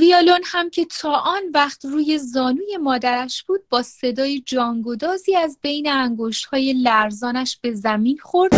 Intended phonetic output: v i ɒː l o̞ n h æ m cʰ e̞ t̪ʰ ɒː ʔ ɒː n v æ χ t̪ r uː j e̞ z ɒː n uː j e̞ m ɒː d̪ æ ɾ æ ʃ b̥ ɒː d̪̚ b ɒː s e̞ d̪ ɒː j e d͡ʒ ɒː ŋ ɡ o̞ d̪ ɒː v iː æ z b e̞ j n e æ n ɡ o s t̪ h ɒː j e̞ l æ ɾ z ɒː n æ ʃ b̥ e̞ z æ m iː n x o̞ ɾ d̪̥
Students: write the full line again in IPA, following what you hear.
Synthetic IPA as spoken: v i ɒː l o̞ n h æ m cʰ e̞ t̪ʰ ɒː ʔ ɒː n v æ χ t̪ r uː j e̞ z ɒː n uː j e̞ m ɒː d̪ æ ɾ æ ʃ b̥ uː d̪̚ b ɒː s e̞ d̪ ɒː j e d͡ʒ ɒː ŋ ɡ o̞ d̪ ɒː z iː æ z b e̞ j n e æ ŋ ɡ o ʃ t̪ h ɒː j e̞ l æ ɾ z ɒː n æ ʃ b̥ e̞ z æ m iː n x o̞ ɾ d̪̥